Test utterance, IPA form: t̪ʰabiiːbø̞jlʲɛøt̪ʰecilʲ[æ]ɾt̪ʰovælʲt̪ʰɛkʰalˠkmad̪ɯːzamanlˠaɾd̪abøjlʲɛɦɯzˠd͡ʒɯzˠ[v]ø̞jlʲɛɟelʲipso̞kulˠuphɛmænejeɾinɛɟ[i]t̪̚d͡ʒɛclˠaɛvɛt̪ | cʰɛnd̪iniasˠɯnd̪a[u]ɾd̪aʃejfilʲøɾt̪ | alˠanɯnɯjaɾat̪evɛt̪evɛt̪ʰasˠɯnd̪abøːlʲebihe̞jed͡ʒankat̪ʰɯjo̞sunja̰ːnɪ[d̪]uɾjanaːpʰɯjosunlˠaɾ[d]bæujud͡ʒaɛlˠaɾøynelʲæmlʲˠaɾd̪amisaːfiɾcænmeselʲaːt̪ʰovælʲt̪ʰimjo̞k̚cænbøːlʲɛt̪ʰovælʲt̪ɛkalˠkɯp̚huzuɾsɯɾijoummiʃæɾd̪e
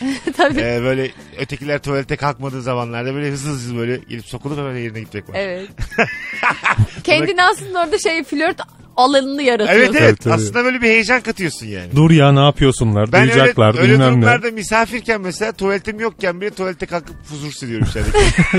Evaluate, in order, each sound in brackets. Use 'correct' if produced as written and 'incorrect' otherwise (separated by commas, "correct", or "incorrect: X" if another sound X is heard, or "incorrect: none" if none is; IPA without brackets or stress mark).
correct, incorrect: b, correct, incorrect: o, correct, correct